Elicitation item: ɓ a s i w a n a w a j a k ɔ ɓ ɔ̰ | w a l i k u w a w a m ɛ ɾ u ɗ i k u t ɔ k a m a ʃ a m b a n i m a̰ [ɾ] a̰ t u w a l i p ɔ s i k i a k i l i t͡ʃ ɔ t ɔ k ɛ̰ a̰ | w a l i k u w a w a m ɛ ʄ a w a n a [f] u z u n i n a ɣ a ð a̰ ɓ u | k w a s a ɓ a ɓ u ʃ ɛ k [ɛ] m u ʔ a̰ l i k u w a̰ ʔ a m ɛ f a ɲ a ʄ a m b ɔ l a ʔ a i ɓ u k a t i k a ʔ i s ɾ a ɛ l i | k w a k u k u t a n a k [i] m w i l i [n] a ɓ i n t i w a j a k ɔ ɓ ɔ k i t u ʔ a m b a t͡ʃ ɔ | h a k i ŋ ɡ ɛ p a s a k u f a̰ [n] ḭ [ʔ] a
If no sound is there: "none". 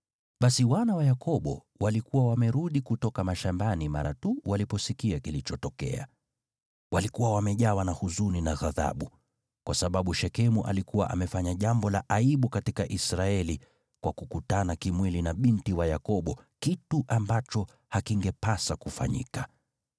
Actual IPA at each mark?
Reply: ɾ, h, ɛ, i, n, ɲ, k

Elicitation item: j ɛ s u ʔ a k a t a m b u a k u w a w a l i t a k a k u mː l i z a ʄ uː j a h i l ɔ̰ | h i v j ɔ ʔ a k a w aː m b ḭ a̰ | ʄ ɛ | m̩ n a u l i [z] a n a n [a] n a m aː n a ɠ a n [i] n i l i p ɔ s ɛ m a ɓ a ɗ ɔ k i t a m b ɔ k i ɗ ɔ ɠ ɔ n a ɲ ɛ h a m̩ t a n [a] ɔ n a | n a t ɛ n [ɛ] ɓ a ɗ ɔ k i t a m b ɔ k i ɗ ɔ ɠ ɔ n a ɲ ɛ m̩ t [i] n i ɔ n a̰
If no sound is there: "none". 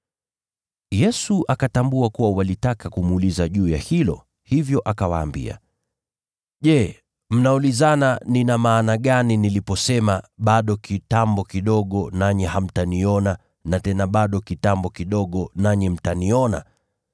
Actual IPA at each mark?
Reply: z, i, i, i, a, a

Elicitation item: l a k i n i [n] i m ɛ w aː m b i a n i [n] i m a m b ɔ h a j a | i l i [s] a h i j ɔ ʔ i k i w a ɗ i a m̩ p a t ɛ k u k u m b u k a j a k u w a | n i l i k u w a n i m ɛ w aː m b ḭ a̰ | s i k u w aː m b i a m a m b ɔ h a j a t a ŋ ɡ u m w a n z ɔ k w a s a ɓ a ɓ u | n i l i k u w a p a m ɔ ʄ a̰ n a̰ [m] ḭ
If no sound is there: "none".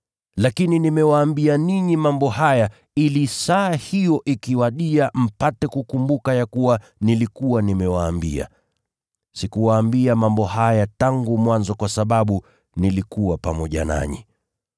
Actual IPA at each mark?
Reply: n, ɲ, s, ɲ

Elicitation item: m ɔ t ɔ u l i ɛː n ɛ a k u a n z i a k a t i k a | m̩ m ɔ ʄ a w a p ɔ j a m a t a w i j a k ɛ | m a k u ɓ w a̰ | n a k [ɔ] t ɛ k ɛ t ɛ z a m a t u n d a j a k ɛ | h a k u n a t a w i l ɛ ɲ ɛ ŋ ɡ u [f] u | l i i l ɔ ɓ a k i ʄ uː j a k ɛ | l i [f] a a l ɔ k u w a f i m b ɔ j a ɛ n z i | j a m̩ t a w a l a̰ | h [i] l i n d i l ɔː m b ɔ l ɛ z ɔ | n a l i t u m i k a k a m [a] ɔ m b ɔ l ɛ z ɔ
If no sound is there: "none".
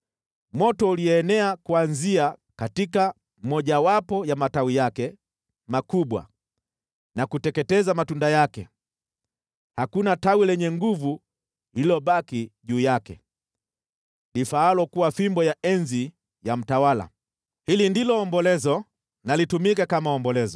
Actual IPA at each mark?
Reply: u, v, f, i, a

